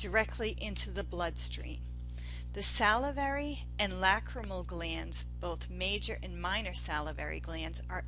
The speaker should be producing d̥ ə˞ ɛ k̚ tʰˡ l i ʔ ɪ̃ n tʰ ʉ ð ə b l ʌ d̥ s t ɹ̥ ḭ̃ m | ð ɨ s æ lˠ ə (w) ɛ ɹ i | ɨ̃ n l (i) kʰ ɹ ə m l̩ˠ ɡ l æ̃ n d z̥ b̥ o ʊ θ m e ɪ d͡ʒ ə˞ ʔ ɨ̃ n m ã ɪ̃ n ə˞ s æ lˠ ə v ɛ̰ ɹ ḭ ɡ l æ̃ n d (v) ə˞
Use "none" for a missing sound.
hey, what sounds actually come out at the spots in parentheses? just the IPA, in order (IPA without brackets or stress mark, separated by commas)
v, æ, z